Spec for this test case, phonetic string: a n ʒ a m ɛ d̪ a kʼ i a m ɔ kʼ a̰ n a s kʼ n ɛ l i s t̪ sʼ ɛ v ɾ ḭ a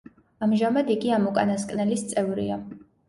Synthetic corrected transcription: a m ʒ a m a d̪ i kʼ i a m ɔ kʼ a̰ n a s kʼ n ɛ l i s t̪ sʼ ɛ v ɾ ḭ a